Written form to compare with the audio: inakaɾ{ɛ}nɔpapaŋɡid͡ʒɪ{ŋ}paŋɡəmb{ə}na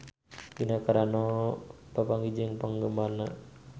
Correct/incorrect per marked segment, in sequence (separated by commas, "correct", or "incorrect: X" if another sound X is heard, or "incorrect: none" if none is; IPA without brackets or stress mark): incorrect: a, correct, incorrect: a